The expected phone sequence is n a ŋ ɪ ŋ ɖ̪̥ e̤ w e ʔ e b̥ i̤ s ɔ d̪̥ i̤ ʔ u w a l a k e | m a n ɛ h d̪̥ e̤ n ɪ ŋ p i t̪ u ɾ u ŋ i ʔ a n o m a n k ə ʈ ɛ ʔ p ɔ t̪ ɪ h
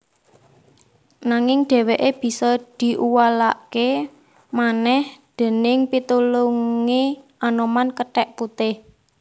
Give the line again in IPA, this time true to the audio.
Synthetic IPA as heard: n a ŋ ɪ ŋ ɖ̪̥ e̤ w e ʔ e b̥ i̤ s ɔ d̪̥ i̤ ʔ u w a l a k e | m a n ɛ h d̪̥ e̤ n ɪ ŋ p i t̪ u l u ŋ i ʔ a n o m a n k ə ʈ ɛ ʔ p u t̪ ɪ h